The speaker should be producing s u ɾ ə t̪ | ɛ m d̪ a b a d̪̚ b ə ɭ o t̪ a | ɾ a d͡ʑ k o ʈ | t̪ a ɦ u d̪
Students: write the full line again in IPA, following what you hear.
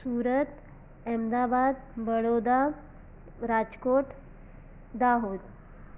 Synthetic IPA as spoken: s u ɾ ə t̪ | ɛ m d̪ a b a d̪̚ b ə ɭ o d̪ a | ɾ a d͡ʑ k o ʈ | d̪ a ɦ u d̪